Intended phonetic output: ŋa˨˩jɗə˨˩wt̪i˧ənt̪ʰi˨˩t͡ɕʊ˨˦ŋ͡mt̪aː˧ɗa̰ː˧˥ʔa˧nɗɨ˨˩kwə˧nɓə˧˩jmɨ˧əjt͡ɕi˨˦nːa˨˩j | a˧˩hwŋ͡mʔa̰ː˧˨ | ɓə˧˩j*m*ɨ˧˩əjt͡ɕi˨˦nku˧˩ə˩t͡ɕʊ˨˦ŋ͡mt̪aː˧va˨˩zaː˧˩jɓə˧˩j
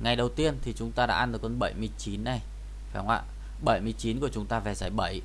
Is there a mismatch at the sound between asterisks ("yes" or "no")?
no